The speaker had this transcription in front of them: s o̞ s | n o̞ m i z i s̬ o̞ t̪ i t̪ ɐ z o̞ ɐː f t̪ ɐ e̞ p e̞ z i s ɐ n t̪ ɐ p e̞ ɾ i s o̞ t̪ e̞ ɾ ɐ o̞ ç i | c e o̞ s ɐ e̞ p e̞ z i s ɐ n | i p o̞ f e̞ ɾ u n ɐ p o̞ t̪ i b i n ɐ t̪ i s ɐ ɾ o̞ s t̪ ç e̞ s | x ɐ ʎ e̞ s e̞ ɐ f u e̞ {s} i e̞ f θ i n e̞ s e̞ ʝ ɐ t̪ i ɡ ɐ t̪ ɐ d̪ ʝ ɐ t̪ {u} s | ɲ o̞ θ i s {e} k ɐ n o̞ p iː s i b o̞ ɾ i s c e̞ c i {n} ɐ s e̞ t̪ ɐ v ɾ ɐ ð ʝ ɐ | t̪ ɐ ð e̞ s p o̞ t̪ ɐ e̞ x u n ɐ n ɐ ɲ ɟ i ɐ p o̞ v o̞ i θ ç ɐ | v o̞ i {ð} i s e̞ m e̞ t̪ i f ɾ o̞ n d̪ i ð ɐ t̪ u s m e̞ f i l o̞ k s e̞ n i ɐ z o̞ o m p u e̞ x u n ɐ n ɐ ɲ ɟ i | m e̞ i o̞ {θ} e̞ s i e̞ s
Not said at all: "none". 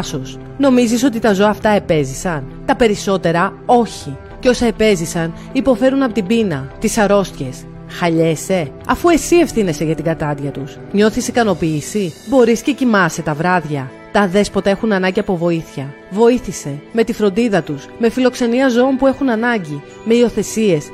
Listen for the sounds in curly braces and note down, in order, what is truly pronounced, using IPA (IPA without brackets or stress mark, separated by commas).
s, u, i, m, θ, θ